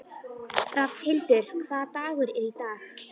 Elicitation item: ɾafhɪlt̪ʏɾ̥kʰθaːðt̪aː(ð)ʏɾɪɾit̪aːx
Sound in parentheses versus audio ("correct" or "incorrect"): incorrect